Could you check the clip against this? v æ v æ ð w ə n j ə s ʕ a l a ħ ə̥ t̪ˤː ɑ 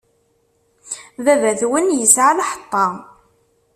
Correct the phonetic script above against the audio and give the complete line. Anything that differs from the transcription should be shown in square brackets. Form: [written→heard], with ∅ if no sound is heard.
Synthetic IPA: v æ v æ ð w ə n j ə s ʕ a l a ħ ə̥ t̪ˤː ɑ